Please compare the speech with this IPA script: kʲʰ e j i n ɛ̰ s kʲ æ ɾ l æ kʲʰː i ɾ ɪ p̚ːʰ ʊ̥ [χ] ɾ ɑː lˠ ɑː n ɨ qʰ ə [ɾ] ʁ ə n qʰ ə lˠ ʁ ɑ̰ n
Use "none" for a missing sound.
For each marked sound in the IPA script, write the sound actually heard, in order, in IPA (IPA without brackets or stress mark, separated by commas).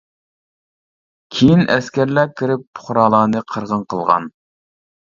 χ, ɾ